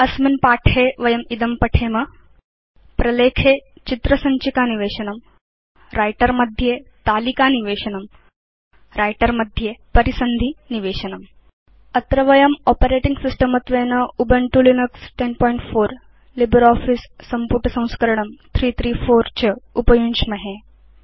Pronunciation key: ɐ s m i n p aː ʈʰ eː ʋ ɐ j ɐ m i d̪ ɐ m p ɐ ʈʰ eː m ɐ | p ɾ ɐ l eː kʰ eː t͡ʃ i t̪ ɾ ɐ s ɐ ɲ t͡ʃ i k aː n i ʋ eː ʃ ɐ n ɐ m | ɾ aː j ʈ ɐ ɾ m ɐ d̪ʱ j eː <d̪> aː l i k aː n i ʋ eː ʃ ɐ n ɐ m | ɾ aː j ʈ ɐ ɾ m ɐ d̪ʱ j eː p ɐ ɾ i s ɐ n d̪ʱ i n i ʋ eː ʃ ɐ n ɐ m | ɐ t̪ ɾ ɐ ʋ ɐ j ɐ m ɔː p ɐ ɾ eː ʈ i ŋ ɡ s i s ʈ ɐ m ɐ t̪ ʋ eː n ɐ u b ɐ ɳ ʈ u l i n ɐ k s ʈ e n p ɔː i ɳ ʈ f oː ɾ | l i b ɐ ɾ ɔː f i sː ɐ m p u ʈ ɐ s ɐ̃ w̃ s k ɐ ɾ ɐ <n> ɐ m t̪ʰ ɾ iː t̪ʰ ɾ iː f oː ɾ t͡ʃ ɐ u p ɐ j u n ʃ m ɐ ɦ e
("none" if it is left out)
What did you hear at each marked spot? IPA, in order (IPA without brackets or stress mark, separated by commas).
t̪, ɳ